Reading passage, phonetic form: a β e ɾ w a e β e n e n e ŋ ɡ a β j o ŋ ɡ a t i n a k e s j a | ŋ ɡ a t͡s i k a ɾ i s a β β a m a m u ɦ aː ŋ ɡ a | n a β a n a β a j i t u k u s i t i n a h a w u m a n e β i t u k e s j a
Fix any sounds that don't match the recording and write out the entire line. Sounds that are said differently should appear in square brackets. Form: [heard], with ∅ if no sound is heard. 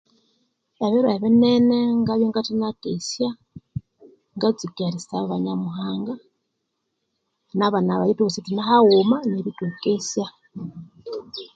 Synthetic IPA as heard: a β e ɾ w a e β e n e n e ŋ ɡ a β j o ŋ ɡ a t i n a k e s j a | ŋ ɡ a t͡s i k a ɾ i s a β β a [ɲ] a m u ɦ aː ŋ ɡ a | n a β a n a β a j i t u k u s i t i n a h a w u m a n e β i t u k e s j a